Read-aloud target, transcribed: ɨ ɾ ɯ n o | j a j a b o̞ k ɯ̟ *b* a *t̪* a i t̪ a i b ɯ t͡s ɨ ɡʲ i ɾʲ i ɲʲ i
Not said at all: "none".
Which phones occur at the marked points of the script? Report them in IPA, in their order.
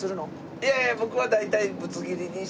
β, d̪

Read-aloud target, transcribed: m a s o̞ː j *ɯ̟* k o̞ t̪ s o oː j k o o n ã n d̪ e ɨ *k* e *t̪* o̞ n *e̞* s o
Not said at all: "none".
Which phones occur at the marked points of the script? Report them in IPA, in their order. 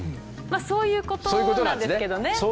ɯ̟ː, k, d̪, e̞

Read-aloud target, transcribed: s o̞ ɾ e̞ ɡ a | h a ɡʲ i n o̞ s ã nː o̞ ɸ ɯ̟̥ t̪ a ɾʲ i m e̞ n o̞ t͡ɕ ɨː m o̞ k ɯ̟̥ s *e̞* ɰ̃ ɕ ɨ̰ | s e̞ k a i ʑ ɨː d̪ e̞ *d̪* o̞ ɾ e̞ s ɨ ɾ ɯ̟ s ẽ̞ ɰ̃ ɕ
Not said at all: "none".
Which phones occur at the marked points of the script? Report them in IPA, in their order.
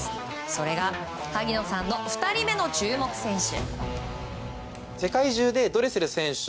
ẽ̞, d̪

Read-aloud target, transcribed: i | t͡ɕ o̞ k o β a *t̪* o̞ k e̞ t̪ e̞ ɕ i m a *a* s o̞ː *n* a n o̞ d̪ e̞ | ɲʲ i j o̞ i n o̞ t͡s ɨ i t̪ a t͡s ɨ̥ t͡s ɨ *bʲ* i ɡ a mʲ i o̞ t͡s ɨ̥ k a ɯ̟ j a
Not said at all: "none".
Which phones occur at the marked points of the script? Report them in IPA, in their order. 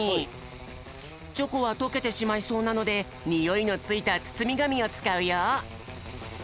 t̪, i, n, mʲ

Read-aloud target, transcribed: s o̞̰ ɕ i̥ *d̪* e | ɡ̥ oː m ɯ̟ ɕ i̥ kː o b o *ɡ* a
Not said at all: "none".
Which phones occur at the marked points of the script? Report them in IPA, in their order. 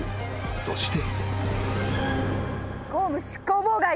t̪, ɡ

